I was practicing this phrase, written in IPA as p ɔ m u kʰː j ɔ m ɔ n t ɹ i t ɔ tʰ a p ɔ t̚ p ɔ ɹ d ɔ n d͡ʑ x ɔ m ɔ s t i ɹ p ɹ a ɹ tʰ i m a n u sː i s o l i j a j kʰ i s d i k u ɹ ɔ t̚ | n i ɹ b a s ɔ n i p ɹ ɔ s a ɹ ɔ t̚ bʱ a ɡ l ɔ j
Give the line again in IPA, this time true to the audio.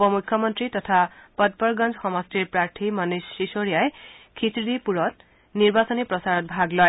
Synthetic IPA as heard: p ɔ m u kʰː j ɔ m ɔ n t ɹ i t ɔ tʰ a p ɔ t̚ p ɔ ɹ ɡ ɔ n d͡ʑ x ɔ m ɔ s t i ɹ p ɹ a ɹ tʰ i m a n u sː i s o ɹ i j a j kʰ i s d i p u ɹ ɔ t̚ | n i ɹ b a s ɔ n i p ɹ ɔ s a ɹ ɔ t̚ bʱ a ɡ l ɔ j